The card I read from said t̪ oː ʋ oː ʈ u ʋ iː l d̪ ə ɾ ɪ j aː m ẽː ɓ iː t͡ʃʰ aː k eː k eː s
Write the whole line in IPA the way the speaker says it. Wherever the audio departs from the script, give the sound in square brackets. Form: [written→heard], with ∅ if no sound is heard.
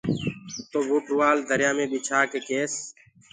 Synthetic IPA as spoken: t̪ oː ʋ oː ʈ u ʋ [iː→aː] l d̪ ə ɾ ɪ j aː m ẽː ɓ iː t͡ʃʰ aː k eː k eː s

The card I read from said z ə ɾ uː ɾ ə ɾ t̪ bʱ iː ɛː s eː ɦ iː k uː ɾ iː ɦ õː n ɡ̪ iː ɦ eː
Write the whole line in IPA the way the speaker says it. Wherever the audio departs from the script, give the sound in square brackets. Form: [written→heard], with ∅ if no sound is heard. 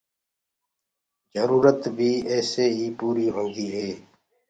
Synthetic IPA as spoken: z ə ɾ uː ɾ ə [ɾ→∅] t̪ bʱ iː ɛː s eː ɦ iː [k→p] uː ɾ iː ɦ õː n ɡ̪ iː ɦ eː

